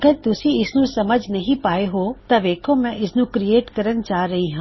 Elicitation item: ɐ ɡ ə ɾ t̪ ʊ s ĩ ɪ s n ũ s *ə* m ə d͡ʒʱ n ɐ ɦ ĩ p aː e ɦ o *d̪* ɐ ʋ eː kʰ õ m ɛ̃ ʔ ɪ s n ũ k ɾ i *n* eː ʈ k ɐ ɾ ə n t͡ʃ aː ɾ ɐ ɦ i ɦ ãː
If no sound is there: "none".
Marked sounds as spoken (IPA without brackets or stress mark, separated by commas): ɐ, t̪, none